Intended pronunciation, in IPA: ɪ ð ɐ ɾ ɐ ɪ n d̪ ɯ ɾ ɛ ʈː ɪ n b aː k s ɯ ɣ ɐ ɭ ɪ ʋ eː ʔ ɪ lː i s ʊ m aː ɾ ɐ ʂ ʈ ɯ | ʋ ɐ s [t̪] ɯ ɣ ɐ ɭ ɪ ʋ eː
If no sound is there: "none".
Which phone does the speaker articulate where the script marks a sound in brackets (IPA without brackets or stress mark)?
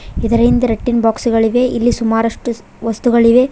t̪